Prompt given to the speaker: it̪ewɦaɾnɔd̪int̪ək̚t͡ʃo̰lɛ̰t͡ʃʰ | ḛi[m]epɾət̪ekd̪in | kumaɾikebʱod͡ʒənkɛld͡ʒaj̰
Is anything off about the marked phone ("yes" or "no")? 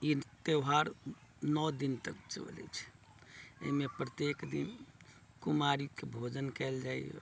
no